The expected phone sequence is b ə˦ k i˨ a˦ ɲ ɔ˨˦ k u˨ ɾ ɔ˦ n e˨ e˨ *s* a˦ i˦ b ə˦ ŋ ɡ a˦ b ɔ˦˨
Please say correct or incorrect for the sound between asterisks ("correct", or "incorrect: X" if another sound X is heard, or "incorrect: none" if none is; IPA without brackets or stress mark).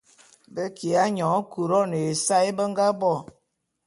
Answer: correct